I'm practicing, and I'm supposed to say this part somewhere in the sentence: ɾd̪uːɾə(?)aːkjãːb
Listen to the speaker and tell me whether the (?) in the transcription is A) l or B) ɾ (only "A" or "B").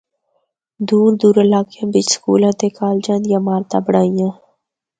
A